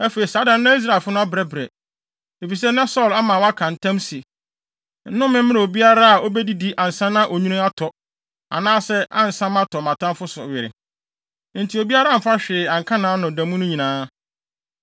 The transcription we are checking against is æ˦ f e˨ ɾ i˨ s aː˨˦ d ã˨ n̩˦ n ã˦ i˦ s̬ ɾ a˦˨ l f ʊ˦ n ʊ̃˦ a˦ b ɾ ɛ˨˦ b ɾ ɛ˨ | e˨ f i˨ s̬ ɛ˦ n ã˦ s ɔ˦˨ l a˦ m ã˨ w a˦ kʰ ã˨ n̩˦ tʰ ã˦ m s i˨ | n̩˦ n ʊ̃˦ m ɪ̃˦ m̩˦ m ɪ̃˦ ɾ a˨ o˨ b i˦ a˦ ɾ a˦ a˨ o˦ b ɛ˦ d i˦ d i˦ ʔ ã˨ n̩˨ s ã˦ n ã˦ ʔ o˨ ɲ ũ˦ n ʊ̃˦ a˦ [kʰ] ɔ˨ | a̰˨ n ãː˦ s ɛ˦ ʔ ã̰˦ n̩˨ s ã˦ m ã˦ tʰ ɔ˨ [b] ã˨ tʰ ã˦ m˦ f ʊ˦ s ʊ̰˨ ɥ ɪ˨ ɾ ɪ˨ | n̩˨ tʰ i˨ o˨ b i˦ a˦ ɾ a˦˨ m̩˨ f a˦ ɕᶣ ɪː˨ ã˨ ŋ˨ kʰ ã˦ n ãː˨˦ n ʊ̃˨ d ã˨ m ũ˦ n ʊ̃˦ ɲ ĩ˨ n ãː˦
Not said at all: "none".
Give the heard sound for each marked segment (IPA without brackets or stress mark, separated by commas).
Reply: tʰ, m